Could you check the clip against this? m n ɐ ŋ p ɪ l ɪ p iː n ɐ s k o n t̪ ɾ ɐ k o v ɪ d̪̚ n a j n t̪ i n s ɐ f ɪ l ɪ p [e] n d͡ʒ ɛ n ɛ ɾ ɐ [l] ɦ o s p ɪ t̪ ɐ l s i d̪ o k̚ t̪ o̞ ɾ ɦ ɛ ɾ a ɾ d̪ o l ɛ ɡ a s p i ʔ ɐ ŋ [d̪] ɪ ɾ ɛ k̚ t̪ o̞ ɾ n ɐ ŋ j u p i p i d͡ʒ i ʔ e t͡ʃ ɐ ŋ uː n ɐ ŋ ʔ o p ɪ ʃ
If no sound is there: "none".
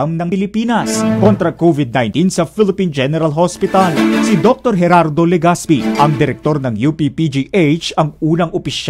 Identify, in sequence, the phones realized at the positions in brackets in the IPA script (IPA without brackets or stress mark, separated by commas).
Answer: i, l, d̪